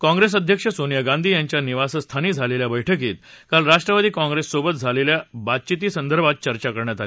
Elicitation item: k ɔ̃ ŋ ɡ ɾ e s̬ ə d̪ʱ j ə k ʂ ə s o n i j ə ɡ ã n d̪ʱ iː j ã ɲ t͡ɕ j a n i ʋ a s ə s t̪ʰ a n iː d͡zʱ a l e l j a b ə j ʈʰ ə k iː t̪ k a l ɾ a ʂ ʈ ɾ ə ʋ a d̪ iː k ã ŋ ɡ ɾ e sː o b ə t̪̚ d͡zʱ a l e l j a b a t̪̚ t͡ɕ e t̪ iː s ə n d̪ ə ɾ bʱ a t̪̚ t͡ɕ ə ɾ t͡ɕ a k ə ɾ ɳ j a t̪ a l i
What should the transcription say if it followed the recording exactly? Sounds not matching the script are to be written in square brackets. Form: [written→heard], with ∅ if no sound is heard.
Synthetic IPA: k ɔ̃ ŋ ɡ ɾ e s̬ ə d̪ʱ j ə k ʂ ə s o n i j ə ɡ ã n d̪ʱ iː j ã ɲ t͡ɕ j a n i ʋ a s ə s t̪ʰ a n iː d͡zʱ a l e l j a b ə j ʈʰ ə k iː t̪ k a l ɾ a ʂ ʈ ɾ ə ʋ a d̪ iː k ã ŋ ɡ ɾ e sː o b ə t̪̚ d͡zʱ a l e l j a b a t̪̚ t͡ɕ [e→i] t̪ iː s ə n d̪ ə ɾ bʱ a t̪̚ t͡ɕ ə ɾ t͡ɕ a k ə ɾ ɳ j a t̪ a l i

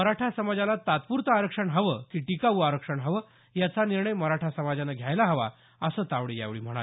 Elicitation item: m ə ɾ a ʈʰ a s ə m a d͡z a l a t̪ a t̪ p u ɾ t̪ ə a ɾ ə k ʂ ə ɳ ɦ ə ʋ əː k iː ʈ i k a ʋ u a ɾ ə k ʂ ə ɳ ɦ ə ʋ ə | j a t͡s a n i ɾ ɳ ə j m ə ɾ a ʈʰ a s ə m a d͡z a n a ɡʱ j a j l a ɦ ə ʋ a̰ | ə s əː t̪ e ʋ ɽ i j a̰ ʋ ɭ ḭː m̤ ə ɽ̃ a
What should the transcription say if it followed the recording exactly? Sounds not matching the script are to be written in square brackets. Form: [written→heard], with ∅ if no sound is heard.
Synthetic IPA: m ə ɾ a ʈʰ a s ə m a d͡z a l a t̪ a t̪ p u ɾ t̪ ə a ɾ ə k ʂ ə ɳ ɦ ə ʋ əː k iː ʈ i k a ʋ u a ɾ ə k ʂ ə ɳ ɦ ə ʋ ə | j a t͡s a n i ɾ ɳ ə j m ə ɾ a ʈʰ a s ə m a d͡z a n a ɡʱ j a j l a ɦ ə ʋ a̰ | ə s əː t̪ [e→a] ʋ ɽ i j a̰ ʋ ɭ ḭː m̤ ə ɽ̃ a

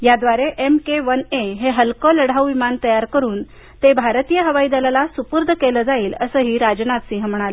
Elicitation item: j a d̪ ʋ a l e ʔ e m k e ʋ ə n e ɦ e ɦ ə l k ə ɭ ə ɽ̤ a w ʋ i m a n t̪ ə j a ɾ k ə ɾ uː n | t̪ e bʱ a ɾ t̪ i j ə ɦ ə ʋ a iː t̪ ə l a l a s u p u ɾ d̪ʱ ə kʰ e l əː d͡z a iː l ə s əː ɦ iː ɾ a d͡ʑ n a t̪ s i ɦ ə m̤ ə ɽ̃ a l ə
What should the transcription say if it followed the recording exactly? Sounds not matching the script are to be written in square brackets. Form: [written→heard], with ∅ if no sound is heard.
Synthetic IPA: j a d̪ ʋ a [l→ɾ] e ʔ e m k e ʋ ə n e ɦ e ɦ ə l k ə [ɭ→l] ə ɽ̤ a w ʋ i m a n t̪ ə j a ɾ k ə ɾ uː n | t̪ e bʱ a ɾ t̪ i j ə ɦ ə ʋ a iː [t̪→d̪] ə l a l a s u p u ɾ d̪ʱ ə [kʰ→k] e l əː d͡z a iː l ə s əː ɦ iː ɾ a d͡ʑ n a t̪ s i ɦ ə m̤ ə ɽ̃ a l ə

